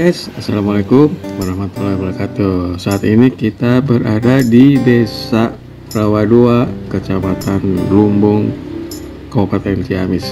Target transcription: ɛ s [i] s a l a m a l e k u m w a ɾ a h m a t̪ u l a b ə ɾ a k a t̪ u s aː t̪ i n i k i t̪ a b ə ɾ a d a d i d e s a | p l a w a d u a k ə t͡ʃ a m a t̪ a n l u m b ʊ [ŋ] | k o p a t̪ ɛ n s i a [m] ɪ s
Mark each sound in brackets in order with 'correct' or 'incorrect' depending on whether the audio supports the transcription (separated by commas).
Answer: incorrect, correct, correct